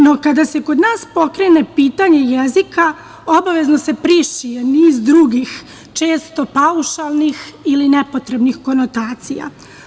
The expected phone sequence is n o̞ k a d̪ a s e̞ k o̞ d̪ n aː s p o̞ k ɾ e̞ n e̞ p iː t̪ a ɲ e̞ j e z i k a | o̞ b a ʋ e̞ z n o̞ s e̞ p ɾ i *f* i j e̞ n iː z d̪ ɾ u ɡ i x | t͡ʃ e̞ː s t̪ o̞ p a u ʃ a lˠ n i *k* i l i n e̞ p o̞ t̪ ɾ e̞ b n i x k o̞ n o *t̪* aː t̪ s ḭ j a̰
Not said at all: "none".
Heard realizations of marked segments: ʃ, x, t̪

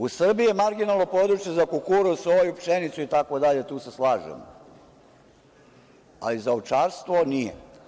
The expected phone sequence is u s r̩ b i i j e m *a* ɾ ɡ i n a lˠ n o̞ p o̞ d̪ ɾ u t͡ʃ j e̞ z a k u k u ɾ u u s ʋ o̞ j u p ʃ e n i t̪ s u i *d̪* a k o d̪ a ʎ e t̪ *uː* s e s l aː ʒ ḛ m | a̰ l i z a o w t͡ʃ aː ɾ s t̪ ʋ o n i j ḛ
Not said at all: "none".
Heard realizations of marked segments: a, t̪, uː

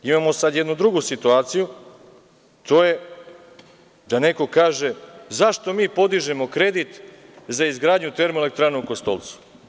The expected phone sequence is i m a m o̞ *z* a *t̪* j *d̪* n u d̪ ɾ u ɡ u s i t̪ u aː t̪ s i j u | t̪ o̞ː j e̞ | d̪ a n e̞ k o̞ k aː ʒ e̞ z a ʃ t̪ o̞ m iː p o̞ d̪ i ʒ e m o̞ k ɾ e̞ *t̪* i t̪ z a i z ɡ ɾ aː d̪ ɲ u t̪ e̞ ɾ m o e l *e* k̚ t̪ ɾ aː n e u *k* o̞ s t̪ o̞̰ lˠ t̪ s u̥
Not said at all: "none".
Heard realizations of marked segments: s, d̪, d̪, d̪, e, k

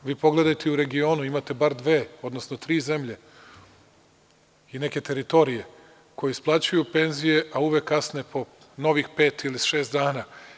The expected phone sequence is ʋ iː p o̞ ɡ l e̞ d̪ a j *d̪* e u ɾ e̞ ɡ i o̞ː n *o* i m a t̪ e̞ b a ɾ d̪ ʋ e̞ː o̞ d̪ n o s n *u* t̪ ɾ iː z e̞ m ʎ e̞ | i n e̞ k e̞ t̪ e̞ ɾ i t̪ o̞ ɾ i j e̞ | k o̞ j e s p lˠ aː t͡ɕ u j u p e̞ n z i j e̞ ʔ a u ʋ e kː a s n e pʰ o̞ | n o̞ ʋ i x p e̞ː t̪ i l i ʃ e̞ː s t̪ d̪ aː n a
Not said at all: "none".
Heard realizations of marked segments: t̪, u, o

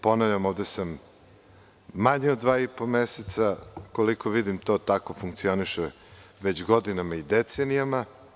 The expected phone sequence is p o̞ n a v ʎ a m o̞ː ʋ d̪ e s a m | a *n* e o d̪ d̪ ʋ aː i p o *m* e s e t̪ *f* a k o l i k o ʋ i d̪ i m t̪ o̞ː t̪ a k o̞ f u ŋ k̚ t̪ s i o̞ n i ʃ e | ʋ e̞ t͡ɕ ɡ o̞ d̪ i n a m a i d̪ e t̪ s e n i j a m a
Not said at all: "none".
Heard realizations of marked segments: ɲ, m, s

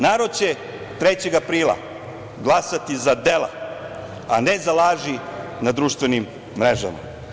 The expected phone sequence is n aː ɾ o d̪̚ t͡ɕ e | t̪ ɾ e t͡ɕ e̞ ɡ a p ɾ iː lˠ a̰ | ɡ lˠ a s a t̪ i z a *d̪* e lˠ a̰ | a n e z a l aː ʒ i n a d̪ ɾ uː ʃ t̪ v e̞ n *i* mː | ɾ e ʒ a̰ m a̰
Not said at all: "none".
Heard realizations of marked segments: d̪, i

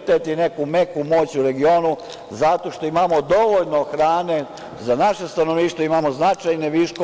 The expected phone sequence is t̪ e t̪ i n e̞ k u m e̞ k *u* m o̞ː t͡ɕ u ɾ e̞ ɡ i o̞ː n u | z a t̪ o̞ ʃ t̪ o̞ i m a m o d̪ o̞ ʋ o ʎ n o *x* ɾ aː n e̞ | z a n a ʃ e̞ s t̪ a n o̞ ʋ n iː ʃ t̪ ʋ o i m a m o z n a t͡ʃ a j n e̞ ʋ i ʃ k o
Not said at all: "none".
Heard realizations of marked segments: u, x

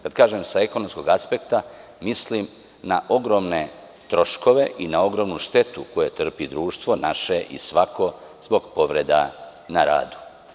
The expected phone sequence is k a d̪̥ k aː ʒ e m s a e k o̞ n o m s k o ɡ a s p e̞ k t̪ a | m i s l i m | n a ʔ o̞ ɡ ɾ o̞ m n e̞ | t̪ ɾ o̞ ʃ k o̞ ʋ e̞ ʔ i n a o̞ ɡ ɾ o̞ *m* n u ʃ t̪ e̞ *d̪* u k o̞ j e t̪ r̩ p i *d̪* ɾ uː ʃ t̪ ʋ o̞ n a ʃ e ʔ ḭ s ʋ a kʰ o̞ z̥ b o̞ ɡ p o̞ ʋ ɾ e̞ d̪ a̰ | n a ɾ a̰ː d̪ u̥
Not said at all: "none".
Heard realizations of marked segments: m, t̪, d̪

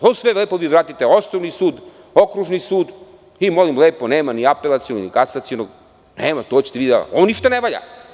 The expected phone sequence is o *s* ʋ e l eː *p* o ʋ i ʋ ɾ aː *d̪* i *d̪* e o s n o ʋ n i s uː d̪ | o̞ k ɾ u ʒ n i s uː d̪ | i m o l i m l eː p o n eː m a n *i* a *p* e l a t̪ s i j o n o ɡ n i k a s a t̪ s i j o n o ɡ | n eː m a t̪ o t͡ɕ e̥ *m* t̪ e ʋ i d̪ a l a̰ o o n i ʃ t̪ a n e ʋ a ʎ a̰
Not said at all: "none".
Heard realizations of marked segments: s, p, t̪, t̪, i, p, none

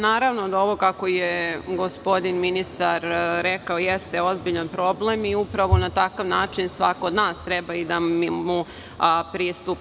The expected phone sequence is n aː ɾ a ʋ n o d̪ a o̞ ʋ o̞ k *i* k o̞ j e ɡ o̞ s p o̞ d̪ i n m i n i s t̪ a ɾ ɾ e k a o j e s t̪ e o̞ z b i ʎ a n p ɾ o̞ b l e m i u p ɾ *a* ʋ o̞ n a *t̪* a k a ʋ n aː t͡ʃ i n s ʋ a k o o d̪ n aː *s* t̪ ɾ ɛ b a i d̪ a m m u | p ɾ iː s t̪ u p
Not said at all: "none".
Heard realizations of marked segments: a, a, t̪, s

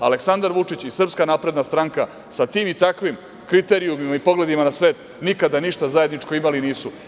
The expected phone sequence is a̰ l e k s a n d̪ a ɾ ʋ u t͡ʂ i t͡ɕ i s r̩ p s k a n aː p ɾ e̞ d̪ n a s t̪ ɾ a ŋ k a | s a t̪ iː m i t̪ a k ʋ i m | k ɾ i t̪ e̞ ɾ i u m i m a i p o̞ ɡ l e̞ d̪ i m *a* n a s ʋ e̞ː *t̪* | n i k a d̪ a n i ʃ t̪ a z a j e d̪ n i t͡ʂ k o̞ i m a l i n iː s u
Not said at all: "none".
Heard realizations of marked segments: a, t̪

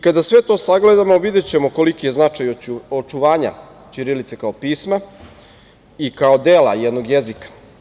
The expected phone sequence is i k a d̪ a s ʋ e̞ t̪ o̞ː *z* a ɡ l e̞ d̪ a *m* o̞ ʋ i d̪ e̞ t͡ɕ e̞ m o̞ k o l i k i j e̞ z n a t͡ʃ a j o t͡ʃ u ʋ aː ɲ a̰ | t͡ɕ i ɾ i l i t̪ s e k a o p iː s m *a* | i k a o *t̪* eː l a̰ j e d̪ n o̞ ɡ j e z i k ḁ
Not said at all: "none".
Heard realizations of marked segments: s, m, a, d̪

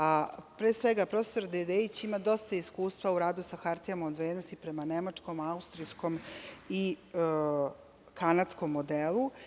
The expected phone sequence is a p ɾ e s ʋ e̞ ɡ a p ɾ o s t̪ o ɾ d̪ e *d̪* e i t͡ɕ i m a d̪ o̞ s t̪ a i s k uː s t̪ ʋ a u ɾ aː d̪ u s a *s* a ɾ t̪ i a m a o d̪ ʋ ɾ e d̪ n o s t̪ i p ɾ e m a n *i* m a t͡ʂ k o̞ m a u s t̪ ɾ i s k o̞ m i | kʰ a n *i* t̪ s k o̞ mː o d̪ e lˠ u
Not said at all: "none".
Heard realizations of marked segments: d̪, x, e, a

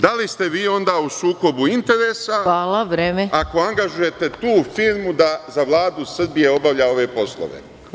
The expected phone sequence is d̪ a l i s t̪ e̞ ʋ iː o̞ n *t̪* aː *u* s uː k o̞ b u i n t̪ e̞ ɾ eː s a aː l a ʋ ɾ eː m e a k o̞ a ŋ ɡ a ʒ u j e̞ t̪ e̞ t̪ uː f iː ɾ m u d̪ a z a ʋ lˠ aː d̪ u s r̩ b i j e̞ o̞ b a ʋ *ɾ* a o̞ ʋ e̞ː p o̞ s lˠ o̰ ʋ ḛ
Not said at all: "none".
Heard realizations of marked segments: d̪, u, ʎ

